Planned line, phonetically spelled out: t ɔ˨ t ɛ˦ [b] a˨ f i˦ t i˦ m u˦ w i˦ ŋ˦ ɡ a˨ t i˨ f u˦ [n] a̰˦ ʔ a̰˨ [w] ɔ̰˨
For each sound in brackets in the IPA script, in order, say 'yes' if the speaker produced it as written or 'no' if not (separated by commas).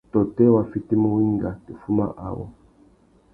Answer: no, no, yes